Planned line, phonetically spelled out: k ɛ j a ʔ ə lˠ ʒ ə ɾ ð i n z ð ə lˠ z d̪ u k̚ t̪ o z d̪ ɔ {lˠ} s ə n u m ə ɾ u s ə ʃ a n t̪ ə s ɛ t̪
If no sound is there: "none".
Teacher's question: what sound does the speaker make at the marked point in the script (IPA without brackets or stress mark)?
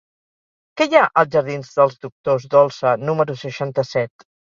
lˠ